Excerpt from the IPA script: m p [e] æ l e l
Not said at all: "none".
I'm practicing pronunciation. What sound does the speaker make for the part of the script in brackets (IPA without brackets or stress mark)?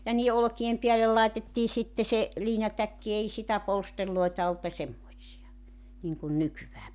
i